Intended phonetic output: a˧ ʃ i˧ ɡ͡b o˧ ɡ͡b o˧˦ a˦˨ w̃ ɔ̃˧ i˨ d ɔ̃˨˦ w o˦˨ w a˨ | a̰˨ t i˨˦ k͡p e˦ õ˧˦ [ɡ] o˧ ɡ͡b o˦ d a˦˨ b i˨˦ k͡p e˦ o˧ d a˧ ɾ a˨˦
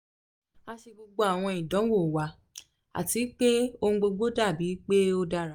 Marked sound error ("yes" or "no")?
yes